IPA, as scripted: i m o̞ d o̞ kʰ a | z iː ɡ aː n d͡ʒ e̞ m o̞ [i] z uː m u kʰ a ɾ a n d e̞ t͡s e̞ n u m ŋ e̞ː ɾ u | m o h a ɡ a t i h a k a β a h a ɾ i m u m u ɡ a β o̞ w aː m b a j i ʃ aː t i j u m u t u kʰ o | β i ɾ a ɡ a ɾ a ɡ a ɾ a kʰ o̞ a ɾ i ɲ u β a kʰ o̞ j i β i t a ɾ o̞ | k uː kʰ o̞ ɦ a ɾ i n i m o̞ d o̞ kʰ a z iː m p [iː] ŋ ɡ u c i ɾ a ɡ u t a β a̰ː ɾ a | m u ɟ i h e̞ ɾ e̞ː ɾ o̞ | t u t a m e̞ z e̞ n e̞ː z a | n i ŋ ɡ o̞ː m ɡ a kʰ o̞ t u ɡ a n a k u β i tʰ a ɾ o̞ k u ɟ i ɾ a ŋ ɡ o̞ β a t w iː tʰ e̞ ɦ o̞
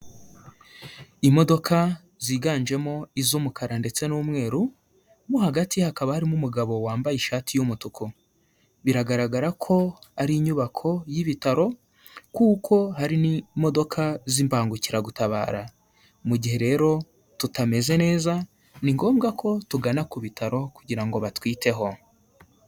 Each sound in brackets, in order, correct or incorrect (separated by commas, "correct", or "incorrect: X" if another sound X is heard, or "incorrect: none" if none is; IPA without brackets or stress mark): correct, incorrect: aː